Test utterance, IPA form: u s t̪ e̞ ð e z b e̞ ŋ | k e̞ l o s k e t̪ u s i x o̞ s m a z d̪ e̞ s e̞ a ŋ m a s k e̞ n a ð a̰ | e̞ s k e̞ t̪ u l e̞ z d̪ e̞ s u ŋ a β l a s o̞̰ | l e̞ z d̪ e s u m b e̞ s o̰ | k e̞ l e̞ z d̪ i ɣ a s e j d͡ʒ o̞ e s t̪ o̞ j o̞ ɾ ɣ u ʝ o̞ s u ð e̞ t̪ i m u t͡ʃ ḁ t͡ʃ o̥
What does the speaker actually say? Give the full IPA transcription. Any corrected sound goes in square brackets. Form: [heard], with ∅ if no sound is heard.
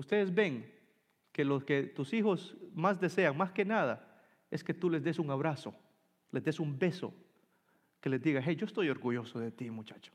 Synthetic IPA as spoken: u s t̪ e̞ ð e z b e̞ ŋ | k e̞ l o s k e t̪ u s i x o̞ s m a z d̪ e̞ s e̞ a ŋ m a s k e̞ n a ð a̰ | e̞ s k e̞ t̪ u l e̞ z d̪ e̞ s u ŋ a β [ɾ] a s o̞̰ | l e̞ z d̪ e s u m b e̞ s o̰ | k e̞ l e̞ z d̪ i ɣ a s e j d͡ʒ o̞ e s t̪ o̞ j o̞ ɾ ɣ u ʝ o̞ s [o] ð e̞ t̪ i m u t͡ʃ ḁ t͡ʃ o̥